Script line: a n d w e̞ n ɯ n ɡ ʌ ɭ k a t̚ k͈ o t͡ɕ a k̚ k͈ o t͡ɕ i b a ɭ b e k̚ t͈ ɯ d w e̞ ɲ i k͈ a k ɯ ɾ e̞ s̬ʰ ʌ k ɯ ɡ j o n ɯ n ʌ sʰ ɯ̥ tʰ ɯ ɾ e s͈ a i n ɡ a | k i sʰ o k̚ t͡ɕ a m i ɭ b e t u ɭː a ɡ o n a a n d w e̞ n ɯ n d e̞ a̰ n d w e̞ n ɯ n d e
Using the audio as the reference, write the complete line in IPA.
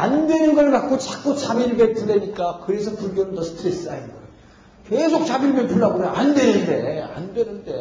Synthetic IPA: a n d w e̞ n ɯ n ɡ ʌ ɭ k a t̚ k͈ o t͡ɕ a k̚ k͈ o t͡ɕ a b i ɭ b e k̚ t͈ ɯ d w e̞ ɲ i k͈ a k ɯ ɾ e̞ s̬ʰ ʌ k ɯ ɡ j o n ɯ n ʌ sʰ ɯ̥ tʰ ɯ ɾ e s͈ a i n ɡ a | k e sʰ o k̚ t͡ɕ a b i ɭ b e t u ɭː a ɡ o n a a n d w e̞ n ɯ n d e̞ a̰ n d w e̞ n ɯ n d e